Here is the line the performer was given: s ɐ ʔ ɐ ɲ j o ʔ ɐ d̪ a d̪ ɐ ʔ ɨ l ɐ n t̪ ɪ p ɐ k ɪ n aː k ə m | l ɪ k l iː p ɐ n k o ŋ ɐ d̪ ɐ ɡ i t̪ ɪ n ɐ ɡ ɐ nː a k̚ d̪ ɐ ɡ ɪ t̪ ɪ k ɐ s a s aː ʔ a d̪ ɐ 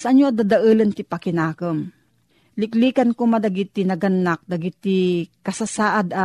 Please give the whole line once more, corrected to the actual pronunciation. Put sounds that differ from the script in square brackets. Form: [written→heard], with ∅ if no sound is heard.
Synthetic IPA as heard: s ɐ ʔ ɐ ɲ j o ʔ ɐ d̪ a d̪ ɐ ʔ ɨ l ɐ n t̪ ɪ p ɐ k ɪ n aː k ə m | l ɪ k l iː [p→k] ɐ n k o [ŋ→m] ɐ d̪ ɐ ɡ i t̪ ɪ n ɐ ɡ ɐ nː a k̚ d̪ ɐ ɡ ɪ t̪ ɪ k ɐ s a s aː ʔ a d̪ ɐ